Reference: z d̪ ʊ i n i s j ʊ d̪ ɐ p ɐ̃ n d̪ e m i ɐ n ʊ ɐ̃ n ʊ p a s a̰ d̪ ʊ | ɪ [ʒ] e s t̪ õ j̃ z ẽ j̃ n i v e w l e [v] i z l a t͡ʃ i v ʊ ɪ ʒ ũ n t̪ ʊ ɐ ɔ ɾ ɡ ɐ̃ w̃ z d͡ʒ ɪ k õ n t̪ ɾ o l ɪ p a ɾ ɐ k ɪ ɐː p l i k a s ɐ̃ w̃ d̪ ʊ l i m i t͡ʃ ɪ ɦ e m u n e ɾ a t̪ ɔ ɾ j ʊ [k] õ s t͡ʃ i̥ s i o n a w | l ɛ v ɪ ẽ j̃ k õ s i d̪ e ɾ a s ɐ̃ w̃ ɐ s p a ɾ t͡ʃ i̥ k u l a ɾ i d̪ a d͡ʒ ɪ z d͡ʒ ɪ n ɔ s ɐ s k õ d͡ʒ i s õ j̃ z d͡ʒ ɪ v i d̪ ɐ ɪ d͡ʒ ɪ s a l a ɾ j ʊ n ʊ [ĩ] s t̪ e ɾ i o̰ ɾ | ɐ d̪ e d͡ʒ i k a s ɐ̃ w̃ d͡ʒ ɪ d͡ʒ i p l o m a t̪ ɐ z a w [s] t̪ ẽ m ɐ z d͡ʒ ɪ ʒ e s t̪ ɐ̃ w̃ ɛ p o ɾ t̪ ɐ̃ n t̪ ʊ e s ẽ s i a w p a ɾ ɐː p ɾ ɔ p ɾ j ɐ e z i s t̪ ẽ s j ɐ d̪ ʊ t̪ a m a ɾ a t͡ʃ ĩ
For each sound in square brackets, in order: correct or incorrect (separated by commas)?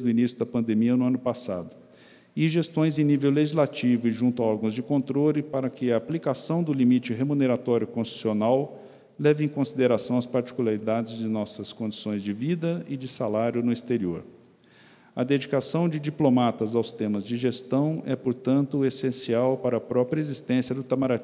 correct, incorrect, correct, incorrect, correct